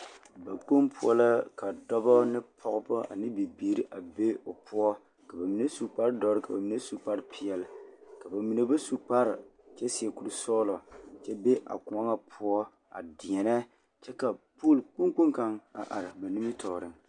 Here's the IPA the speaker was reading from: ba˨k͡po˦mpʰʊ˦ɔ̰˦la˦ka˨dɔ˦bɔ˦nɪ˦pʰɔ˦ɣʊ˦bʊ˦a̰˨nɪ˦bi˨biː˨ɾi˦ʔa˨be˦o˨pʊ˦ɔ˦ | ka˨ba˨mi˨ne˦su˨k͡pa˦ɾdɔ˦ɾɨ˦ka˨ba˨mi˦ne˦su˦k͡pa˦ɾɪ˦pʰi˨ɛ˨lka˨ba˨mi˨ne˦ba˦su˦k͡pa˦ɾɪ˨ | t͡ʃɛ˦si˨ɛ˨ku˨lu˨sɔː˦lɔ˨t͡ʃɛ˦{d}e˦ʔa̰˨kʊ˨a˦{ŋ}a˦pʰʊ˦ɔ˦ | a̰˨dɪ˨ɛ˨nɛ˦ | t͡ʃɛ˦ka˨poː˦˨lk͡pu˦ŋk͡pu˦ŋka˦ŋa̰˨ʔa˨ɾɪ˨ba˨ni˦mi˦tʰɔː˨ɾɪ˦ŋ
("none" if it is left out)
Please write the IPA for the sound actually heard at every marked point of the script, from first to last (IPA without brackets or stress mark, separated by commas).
b, ŋ